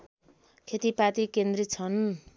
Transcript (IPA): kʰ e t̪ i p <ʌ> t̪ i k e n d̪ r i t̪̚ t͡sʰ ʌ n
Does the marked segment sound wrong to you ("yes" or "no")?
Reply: yes